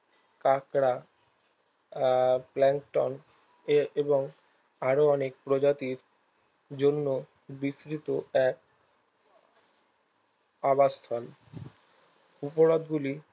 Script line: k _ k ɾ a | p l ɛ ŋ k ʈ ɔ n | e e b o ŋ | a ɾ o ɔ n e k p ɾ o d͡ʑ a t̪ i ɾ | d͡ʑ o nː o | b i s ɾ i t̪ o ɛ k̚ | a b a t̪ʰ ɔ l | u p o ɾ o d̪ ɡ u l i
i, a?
a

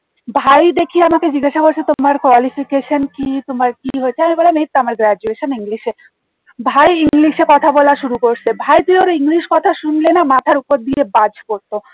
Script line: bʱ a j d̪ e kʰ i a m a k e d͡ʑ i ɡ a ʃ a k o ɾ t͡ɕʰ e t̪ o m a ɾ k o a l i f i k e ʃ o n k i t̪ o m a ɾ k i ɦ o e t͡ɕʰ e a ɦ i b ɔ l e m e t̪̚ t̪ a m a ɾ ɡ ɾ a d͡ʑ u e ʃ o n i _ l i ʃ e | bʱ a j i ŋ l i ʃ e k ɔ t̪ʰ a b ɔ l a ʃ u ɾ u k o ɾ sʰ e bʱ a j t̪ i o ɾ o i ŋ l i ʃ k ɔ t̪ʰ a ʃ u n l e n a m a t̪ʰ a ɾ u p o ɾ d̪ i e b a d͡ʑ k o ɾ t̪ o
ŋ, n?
ŋ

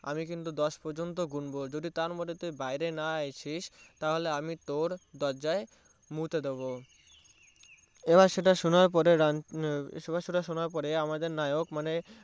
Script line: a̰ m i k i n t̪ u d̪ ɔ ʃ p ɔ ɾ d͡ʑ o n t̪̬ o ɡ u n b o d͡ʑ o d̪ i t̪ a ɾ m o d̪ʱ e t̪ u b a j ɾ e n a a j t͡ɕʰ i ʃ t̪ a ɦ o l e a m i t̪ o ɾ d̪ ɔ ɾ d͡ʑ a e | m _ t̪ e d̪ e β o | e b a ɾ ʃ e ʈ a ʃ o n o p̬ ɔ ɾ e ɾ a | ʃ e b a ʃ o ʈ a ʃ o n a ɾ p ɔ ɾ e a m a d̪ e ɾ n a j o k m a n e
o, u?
u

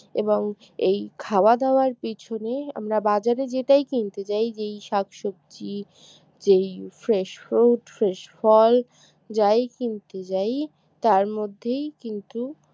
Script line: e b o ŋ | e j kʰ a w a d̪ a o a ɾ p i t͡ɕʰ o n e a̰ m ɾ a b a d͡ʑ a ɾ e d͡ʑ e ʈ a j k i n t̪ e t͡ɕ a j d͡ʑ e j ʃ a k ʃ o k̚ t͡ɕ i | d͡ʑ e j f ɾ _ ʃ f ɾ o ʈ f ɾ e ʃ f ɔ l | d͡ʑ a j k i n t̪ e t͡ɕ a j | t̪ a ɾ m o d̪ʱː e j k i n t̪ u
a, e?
e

